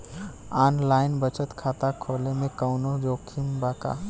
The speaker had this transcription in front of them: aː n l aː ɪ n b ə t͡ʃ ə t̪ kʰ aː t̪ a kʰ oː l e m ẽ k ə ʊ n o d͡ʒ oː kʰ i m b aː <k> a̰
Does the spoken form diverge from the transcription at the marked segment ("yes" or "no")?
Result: no